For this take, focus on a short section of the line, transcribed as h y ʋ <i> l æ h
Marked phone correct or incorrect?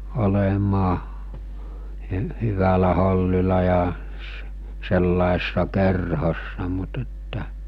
incorrect